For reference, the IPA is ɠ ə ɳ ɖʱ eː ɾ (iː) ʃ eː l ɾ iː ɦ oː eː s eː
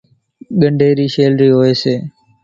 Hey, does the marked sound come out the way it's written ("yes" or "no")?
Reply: yes